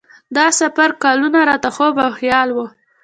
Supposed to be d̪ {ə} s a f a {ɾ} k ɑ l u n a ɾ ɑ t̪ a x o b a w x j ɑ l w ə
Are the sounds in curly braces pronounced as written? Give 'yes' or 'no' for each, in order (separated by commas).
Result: no, yes